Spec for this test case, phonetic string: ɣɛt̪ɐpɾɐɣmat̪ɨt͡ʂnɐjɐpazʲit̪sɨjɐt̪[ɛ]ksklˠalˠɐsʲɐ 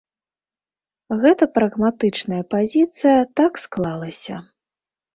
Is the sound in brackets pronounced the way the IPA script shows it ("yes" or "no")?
no